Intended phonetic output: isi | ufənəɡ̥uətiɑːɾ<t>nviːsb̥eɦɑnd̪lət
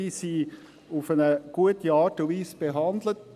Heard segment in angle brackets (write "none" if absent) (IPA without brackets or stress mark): t